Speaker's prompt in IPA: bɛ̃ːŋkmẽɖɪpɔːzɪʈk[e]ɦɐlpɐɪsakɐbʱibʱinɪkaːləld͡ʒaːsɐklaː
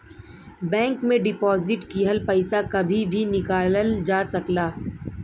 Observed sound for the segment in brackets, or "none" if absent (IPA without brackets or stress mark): i